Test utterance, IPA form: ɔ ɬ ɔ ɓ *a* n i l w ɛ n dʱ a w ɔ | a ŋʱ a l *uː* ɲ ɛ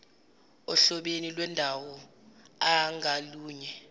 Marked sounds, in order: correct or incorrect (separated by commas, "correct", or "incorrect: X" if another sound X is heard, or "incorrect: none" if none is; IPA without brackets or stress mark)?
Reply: incorrect: e, correct